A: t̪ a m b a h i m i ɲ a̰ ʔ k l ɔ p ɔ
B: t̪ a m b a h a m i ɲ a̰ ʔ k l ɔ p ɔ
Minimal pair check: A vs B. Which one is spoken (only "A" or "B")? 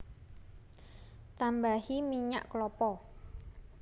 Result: A